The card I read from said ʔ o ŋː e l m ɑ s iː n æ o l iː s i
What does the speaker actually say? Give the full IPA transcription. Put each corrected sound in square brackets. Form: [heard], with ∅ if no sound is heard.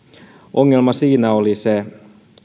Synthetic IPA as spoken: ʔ o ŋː e l m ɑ s iː n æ o l [i] s [e]